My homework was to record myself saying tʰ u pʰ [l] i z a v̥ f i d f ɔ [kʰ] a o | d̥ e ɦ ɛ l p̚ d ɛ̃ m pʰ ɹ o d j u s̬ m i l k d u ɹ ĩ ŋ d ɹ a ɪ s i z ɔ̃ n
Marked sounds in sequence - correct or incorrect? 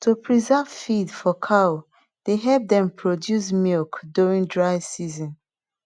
incorrect: ɹ, correct

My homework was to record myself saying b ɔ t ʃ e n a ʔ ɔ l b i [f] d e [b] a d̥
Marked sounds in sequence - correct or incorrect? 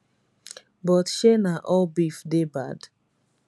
correct, correct

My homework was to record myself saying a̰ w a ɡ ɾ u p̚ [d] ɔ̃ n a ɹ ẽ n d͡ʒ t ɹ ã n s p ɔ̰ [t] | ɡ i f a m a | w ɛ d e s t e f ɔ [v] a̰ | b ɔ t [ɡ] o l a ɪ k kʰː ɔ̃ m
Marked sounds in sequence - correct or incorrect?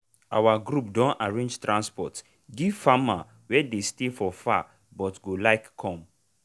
correct, correct, incorrect: f, correct

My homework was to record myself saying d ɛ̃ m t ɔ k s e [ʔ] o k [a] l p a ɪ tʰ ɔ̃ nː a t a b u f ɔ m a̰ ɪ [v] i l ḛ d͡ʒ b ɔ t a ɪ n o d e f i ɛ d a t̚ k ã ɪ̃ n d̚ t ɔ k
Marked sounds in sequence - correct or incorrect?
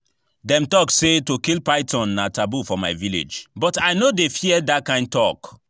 incorrect: t, incorrect: i, correct

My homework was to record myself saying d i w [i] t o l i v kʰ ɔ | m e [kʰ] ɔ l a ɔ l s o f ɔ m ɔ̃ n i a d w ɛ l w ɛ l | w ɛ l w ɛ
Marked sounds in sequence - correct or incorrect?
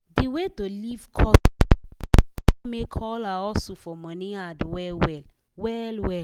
incorrect: e, correct

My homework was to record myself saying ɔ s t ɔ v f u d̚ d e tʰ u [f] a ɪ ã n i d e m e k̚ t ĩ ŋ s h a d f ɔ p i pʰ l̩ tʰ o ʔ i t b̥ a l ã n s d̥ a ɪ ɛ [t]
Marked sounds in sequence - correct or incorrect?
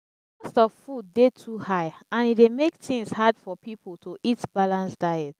incorrect: h, correct

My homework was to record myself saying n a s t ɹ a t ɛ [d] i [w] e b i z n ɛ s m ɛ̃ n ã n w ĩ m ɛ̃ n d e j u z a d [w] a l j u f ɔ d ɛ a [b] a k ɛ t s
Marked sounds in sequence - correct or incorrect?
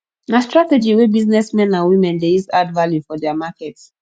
incorrect: d͡ʒ, correct, incorrect: v, incorrect: m

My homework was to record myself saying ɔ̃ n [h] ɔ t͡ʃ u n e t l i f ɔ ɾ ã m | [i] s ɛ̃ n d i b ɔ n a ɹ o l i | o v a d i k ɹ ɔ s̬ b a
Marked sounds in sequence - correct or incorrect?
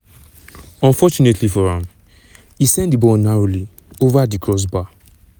incorrect: f, correct

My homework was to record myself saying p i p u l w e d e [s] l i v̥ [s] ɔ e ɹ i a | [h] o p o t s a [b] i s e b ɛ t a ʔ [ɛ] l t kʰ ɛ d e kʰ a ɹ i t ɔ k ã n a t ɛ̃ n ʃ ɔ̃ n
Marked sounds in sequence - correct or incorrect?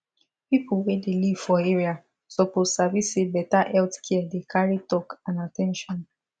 incorrect: none, incorrect: f, incorrect: s, incorrect: v, correct

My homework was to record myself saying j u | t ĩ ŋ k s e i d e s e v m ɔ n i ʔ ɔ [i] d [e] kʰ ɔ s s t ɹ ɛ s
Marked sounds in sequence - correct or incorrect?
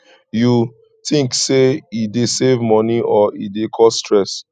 correct, correct

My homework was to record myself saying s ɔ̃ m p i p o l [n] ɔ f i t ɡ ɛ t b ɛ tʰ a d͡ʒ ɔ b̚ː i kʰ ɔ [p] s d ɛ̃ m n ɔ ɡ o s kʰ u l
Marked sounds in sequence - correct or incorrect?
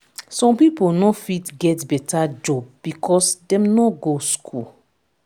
correct, incorrect: none

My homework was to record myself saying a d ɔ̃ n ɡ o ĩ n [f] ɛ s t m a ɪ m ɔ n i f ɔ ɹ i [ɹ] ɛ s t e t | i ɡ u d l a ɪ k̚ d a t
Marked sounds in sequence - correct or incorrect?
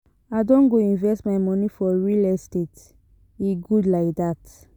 incorrect: v, incorrect: l

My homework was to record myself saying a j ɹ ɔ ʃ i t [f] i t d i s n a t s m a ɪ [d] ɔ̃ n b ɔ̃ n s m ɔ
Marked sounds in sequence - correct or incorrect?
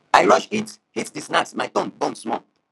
incorrect: h, incorrect: t

